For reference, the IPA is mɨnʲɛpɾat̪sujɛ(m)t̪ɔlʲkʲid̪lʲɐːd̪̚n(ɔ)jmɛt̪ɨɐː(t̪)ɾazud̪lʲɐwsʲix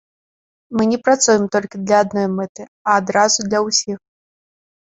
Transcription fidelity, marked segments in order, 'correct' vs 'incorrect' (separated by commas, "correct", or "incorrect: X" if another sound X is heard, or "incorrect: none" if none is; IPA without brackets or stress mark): correct, correct, incorrect: d̪